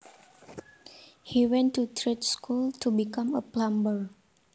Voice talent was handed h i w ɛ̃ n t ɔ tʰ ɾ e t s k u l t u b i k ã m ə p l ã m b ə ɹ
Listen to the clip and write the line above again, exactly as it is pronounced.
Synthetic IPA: h i w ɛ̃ n t u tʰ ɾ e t s k u l t u b i k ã m ə p l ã m b ə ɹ